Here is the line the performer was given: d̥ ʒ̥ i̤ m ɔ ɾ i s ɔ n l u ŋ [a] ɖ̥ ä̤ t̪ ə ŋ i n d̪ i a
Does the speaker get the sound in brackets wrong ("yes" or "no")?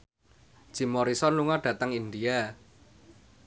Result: no